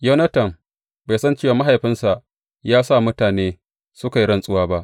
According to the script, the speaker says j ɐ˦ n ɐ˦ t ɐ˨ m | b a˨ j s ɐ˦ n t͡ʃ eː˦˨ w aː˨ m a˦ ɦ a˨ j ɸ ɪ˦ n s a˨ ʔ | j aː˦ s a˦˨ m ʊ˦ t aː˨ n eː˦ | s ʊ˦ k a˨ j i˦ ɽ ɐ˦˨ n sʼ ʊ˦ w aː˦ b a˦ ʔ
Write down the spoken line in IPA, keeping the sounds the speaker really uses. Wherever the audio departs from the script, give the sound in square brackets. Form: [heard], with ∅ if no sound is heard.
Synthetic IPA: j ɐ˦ n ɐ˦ t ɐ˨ m | b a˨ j s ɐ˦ n t͡ʃ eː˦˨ w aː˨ m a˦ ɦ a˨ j ɸ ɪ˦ n s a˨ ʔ | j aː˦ s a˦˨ m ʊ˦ t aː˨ n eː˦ | s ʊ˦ k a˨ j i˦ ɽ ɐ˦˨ n sʼ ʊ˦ w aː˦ b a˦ ʔ